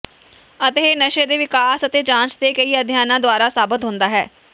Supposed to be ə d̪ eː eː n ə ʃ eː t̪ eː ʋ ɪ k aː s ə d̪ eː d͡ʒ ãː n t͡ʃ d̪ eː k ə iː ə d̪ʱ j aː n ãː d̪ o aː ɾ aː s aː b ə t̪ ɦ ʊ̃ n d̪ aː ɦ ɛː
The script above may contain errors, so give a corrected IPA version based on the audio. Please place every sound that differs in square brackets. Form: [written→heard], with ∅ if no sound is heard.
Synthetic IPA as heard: ə [d̪→t̪] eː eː n ə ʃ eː [t̪→d̪] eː ʋ ɪ k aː s ə [d̪→t̪] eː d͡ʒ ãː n t͡ʃ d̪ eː k ə iː ə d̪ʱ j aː n ãː d̪ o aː ɾ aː s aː b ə t̪ ɦ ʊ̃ n d̪ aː ɦ ɛː